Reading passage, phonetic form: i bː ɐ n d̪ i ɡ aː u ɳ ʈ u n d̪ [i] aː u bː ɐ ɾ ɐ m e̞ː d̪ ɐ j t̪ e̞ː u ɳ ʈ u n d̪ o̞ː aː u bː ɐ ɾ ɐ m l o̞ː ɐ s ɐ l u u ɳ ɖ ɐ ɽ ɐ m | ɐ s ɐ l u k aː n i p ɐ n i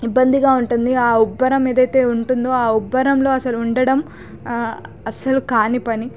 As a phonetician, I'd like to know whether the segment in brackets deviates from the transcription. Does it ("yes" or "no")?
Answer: no